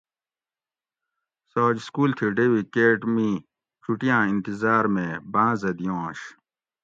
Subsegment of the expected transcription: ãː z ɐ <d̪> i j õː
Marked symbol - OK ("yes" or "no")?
yes